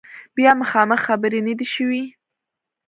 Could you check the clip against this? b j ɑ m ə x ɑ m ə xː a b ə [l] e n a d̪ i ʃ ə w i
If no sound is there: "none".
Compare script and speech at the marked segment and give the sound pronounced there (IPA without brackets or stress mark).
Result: ɾ